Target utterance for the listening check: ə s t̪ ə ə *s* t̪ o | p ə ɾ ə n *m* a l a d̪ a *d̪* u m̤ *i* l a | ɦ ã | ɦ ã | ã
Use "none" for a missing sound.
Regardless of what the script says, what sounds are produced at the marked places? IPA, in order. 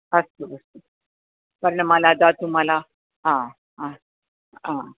s, m, t̪, a

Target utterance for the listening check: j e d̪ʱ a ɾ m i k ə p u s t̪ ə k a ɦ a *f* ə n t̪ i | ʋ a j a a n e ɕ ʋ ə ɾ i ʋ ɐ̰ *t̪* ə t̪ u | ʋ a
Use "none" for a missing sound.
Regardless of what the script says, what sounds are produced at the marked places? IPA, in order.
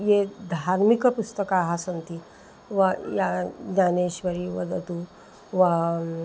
s, d̪

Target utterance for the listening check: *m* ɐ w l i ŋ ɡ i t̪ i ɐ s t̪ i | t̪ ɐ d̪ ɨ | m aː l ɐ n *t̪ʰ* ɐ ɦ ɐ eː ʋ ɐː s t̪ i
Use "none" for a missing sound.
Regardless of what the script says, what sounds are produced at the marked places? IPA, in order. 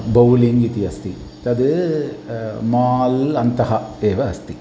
b, t̪

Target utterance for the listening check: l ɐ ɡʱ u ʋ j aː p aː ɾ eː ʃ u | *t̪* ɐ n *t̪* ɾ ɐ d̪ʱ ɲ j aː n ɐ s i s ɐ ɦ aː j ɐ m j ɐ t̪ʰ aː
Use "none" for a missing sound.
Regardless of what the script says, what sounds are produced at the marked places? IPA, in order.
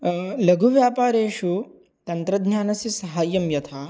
t̪, t̪

